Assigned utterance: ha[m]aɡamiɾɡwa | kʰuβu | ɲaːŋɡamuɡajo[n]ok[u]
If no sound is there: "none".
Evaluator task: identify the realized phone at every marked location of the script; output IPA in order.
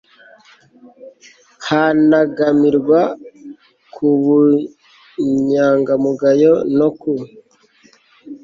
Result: n, n, u

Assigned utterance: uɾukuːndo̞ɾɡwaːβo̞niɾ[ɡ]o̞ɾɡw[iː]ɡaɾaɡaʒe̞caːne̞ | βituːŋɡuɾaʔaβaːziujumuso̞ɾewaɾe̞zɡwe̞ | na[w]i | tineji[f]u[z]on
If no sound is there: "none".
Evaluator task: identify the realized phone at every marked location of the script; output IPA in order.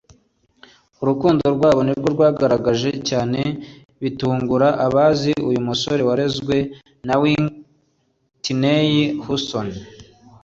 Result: ɡ, aː, w, h, s

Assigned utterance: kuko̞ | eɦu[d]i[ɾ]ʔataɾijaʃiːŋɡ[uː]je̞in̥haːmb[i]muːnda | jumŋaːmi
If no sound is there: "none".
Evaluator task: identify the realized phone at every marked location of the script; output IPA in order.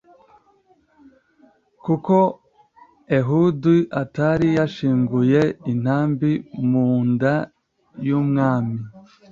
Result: d, none, u, i

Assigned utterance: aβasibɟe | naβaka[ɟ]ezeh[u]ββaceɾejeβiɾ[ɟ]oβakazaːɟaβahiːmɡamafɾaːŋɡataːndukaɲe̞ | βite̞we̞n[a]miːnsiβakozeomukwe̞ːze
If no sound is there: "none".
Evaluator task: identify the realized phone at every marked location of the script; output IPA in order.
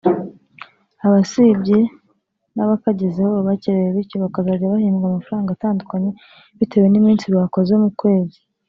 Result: ɟ, o, c, i

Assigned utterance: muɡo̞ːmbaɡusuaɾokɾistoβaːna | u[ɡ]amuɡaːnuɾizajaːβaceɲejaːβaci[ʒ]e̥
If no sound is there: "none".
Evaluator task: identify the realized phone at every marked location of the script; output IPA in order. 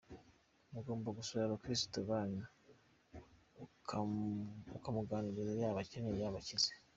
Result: k, z

